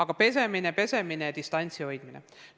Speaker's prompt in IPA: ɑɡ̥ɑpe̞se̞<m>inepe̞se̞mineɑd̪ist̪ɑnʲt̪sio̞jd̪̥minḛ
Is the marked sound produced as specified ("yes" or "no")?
yes